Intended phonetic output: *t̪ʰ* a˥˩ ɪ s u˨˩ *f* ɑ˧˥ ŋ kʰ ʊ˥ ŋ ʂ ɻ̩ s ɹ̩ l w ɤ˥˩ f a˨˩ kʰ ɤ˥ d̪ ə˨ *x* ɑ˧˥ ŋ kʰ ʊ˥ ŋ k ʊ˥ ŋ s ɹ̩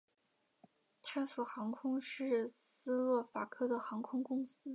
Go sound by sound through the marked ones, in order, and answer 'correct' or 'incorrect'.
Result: correct, incorrect: x, correct

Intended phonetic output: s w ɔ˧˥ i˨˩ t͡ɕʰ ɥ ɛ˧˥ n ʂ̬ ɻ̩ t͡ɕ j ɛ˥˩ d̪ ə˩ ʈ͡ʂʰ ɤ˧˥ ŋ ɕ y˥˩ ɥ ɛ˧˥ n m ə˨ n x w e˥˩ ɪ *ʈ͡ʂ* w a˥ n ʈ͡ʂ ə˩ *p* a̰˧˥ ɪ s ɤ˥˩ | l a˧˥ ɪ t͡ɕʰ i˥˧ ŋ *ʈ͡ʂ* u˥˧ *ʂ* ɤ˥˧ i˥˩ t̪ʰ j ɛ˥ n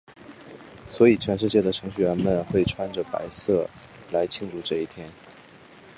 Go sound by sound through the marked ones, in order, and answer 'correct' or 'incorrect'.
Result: incorrect: ʈ͡ʂʰ, correct, correct, incorrect: ʈ͡ʂ

